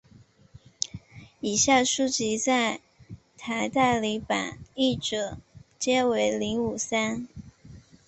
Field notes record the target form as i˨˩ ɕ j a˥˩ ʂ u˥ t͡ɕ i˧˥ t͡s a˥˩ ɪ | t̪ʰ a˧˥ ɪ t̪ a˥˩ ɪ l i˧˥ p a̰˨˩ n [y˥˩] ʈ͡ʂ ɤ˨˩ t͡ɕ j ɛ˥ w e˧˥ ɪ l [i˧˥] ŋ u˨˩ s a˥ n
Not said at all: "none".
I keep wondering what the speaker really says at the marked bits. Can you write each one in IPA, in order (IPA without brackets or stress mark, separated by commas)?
i˥˩, i˧˥